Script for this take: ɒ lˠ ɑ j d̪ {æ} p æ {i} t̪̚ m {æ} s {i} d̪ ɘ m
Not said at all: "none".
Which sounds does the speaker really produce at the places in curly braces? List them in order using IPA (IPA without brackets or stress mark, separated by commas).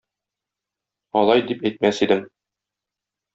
i, j, æ, i